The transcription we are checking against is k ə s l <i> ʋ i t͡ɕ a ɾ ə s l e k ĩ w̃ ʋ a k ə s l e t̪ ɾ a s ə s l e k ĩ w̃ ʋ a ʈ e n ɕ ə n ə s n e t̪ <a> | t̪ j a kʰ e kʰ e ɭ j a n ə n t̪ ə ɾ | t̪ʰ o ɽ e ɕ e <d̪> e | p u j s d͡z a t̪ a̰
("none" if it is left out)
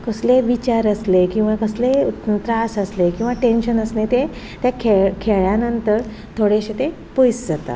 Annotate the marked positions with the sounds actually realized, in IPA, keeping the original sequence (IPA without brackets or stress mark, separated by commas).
e, e, t̪